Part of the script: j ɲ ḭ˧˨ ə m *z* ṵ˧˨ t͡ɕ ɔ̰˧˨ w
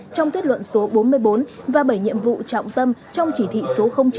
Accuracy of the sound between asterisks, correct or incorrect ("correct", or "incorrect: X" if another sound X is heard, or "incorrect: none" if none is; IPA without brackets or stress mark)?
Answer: incorrect: v